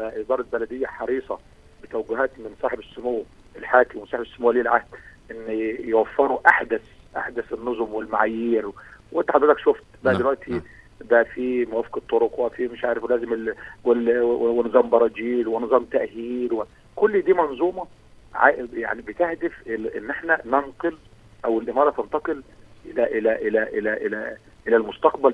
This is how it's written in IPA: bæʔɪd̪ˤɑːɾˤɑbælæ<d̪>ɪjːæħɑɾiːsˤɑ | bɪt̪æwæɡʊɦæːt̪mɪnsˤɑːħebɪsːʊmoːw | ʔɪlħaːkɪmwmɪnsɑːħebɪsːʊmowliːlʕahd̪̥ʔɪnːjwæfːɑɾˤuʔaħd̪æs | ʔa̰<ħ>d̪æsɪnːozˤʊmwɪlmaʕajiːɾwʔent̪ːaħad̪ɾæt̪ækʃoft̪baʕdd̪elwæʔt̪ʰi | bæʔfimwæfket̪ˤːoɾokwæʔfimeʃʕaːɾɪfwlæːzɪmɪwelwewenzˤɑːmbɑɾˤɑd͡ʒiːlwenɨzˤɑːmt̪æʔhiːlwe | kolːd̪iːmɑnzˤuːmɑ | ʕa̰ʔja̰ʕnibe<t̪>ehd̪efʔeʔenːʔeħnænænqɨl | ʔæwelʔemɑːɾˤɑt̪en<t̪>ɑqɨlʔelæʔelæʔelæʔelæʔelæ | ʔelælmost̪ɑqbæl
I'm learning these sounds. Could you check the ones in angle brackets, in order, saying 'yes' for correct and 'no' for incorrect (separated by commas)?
yes, yes, yes, yes